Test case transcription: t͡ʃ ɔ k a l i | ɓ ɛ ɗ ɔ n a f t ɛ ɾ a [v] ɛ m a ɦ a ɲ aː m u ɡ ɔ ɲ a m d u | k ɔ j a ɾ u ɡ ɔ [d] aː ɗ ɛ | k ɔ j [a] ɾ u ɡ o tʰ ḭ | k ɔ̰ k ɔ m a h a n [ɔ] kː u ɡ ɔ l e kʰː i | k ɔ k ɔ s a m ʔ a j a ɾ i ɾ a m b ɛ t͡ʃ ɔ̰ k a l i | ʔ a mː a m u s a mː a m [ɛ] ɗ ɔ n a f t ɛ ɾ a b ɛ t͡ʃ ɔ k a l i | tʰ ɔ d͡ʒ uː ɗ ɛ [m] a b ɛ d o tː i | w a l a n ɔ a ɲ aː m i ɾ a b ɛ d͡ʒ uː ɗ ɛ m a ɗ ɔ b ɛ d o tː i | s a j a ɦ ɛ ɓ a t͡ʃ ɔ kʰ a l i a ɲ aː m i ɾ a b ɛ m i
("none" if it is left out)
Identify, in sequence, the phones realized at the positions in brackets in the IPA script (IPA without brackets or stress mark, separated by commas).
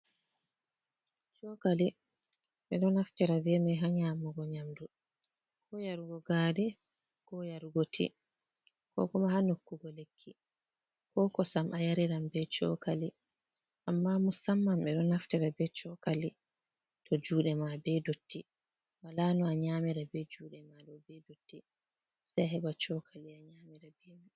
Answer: b, ɡ, a, o, ɛ, m